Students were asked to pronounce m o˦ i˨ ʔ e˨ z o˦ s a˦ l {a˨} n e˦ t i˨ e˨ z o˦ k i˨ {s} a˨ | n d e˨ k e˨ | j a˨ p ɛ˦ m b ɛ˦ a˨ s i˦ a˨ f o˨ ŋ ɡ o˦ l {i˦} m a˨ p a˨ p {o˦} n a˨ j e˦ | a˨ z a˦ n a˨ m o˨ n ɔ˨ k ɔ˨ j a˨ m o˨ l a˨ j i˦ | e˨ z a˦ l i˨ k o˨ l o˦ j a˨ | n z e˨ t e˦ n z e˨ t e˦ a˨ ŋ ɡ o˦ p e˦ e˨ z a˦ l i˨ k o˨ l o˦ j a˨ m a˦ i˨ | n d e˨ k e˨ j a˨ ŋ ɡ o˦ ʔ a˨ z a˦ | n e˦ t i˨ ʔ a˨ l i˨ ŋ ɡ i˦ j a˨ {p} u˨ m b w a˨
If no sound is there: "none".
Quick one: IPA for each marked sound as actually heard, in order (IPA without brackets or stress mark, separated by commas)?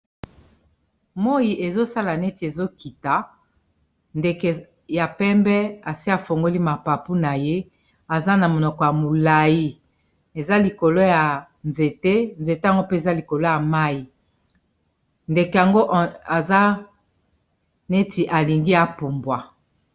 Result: a˨, t, i˦, u˦, p